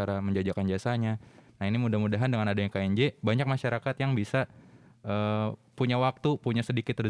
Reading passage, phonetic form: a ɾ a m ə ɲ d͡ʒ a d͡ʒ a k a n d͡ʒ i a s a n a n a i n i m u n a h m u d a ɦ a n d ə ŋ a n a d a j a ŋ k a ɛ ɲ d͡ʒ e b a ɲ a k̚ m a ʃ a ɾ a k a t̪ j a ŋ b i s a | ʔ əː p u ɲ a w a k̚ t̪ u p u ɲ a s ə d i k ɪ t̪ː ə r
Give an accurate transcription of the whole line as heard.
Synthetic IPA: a ɾ a m ə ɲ d͡ʒ a d͡ʒ a k a n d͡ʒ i a s a ɲ a n a i n i m u d a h m u d a ɦ a n d ə ŋ a n a d a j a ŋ k a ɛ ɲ d͡ʒ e b a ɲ a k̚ m a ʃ a ɾ a k a t̪ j a ŋ b i s a | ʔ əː p u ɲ a w a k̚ t̪ u p u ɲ a s ə d i k ɪ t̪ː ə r